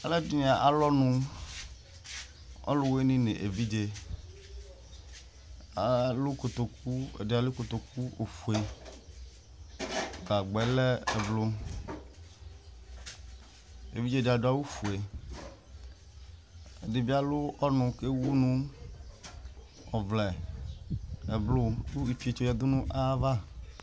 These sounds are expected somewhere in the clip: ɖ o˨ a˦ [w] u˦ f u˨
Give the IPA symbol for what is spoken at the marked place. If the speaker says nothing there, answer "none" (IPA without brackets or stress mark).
w